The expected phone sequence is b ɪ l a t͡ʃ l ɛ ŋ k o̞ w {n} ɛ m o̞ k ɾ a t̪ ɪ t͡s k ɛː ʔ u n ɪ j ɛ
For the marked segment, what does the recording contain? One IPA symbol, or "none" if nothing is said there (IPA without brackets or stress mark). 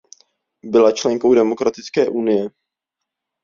d